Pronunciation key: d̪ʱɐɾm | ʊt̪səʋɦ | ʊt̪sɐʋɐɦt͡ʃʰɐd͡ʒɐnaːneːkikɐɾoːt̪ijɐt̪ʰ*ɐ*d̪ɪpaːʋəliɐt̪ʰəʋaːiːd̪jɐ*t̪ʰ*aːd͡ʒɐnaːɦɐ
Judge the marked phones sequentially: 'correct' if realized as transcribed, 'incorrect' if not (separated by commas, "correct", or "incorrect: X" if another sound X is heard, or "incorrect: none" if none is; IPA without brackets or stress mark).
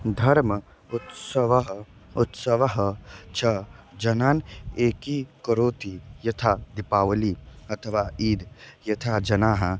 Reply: incorrect: a, correct